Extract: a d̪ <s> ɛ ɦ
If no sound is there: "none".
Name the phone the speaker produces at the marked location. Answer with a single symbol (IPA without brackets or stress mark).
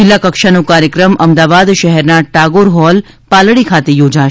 ʃ